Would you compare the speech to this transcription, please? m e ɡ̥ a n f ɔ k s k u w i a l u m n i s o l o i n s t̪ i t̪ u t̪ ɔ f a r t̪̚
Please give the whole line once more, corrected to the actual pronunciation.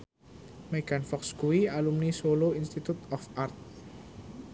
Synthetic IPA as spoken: m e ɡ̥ a n f ɔ k s k u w i a l u m n i s o l o i n s t̪ i t̪ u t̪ ɔ f a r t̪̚